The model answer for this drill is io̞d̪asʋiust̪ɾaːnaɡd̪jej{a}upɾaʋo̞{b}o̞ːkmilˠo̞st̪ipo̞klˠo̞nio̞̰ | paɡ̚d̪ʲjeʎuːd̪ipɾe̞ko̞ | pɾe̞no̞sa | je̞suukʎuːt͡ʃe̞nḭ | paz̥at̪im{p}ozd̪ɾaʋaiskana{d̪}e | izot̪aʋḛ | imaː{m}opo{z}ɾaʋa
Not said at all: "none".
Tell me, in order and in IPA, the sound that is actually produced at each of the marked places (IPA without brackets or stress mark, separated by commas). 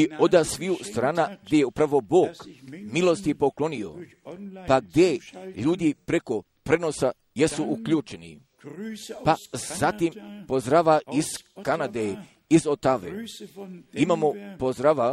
e, b, p, d̪, m, z